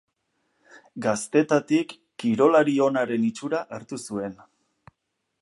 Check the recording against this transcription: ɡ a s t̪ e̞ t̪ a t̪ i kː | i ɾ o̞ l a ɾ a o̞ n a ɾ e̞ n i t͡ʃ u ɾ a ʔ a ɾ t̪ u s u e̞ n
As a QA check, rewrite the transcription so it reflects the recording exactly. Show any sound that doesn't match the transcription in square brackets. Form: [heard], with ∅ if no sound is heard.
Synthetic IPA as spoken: ɡ a s t̪ e̞ t̪ a t̪ i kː | i ɾ o̞ l a ɾ [i] o̞ n a ɾ e̞ n i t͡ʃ u ɾ a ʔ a ɾ t̪ u s u e̞ n